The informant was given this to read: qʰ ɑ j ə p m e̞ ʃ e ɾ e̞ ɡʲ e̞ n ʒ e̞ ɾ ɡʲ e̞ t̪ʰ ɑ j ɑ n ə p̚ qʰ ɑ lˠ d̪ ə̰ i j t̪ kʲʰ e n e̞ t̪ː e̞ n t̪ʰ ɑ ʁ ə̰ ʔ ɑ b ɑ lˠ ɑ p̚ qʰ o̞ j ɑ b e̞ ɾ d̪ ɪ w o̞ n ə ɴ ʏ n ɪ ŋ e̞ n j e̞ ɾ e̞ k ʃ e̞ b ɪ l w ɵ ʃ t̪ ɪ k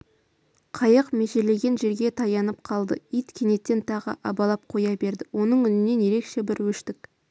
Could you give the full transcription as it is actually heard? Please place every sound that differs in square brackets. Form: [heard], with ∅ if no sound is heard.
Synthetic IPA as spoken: qʰ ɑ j ə [q] m e̞ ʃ e [l] e̞ ɡʲ e̞ n ʒ e̞ ɾ ɡʲ e̞ t̪ʰ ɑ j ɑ n ə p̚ qʰ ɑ lˠ d̪ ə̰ i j t̪ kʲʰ e n e̞ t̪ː e̞ n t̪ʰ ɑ ʁ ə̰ ʔ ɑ b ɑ lˠ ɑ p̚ qʰ o̞ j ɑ b e̞ ɾ d̪ ɪ w o̞ n ə ɴ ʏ n ɪ [n] e̞ n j e̞ ɾ e̞ k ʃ e̞ b ɪ [ɾ] w ɵ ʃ t̪ ɪ k

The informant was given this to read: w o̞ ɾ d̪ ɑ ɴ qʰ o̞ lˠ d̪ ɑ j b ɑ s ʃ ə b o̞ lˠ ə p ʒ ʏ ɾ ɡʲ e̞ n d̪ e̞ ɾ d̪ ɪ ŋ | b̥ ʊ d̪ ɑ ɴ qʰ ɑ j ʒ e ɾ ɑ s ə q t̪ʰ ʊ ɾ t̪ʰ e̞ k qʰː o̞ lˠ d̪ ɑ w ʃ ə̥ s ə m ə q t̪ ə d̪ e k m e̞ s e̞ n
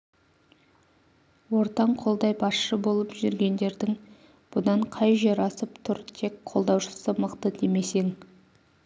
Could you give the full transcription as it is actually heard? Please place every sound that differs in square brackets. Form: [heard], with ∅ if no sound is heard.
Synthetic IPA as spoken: w o̞ ɾ [t̪] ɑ ɴ qʰ o̞ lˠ d̪ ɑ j b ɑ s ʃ ə b o̞ lˠ ə p ʒ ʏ ɾ ɡʲ e̞ n d̪ e̞ ɾ d̪ ɪ ŋ | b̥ ʊ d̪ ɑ ɴ qʰ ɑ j ʒ e ɾ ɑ s ə [p] t̪ʰ ʊ ɾ t̪ʰ e̞ k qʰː o̞ lˠ d̪ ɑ w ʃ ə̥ s ə m ə q t̪ ə d̪ e [∅] m e̞ s e̞ [ŋ]

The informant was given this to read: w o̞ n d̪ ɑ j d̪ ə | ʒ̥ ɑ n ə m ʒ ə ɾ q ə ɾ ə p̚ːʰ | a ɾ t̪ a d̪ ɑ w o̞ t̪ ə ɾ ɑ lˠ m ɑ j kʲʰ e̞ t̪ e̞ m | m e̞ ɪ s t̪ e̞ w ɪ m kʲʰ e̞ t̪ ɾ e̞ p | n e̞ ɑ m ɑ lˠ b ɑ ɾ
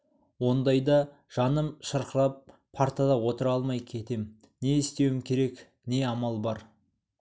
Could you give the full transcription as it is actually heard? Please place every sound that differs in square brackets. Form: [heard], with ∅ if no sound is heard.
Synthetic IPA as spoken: w o̞ n d̪ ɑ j d̪ [ɑ] | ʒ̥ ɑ n ə m [ʃ] ə ɾ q ə ɾ [ɑ] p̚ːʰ | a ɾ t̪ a d̪ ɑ w o̞ t̪ ə ɾ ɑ lˠ m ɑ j kʲʰ e̞ t̪ e̞ m | [n] e̞ ɪ s t̪ e̞ w ɪ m kʲʰ e̞ [∅] ɾ e̞ [k] | n e̞ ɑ m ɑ lˠ b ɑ ɾ

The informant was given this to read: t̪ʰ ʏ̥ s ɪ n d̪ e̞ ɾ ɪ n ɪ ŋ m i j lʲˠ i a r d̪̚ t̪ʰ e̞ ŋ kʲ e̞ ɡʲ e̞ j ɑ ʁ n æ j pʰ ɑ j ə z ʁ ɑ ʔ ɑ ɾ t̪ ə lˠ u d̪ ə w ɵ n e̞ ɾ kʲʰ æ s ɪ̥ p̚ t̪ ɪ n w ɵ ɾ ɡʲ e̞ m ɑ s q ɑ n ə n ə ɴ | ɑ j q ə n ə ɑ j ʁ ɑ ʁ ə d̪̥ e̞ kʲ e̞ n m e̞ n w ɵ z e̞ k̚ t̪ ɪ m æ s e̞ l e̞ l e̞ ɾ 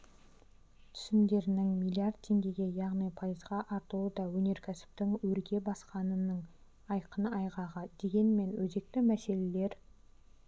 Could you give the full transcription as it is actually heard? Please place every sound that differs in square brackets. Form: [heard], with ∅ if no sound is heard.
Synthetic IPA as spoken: t̪ʰ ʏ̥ s ɪ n d̪ e̞ ɾ ɪ n ɪ ŋ m i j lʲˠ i a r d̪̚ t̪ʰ e̞ ŋ [ɡʲ] e̞ ɡʲ e̞ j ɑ ʁ n [i] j pʰ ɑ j ə z ʁ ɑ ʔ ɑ ɾ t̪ ə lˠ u d̪ [ɑ] w ɵ n e̞ ɾ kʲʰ æ s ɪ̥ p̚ t̪ ɪ [ŋ] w ɵ ɾ ɡʲ e̞ [b] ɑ s q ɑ n ə n ə ɴ | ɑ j q ə n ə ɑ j ʁ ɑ ʁ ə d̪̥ e̞ [ɡʲ] e̞ n m e̞ n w ɵ z e̞ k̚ t̪ ɪ m æ s e̞ l e̞ l e̞ ɾ

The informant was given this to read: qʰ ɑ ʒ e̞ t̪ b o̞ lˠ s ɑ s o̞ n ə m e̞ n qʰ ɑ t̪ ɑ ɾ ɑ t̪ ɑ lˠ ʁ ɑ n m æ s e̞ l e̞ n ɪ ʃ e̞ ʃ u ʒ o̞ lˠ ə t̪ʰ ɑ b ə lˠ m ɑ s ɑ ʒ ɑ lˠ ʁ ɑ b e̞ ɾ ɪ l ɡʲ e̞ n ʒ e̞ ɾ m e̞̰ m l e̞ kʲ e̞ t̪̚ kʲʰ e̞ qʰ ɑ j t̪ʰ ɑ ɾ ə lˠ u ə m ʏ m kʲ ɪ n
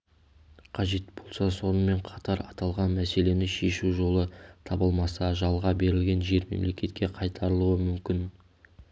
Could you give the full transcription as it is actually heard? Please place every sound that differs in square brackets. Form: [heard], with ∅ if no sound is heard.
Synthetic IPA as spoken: qʰ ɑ ʒ e̞ t̪ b o̞ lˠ s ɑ s o̞ n ə m e̞ [ɴ] qʰ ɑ t̪ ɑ ɾ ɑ t̪ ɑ lˠ ʁ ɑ n m æ s e̞ l e̞ n ɪ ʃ e̞ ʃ u ʒ o̞ lˠ ə t̪ʰ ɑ b ə lˠ m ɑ s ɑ ʒ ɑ lˠ ʁ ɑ b e̞ ɾ ɪ l ɡʲ e̞ n ʒ e̞ ɾ m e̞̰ m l e̞ kʲ e̞ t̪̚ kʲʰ e̞ qʰ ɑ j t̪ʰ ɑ ɾ ə lˠ u ə m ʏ m kʲ ɪ n

